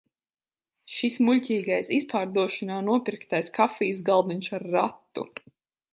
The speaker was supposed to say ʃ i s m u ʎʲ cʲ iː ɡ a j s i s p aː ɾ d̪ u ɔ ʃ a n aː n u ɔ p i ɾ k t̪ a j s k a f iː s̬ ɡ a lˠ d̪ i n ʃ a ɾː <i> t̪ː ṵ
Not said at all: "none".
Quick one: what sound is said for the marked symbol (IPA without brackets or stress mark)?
a